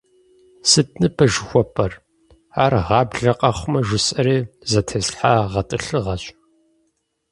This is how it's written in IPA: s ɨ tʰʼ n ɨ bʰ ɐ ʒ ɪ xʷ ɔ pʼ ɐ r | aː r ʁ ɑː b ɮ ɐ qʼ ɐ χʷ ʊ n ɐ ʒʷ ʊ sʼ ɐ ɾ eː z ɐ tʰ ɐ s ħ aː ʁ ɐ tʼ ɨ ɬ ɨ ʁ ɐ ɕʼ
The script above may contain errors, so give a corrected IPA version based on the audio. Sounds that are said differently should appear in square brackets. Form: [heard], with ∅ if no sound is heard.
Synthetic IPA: s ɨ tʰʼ n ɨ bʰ ɐ ʒ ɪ xʷ ɔ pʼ ɐ r | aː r ʁ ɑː b ɮ ɐ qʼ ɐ χʷ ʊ [m] ɐ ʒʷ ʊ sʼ ɐ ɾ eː z ɐ tʰ ɐ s ħ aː ʁ ɐ tʼ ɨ ɬ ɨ ʁ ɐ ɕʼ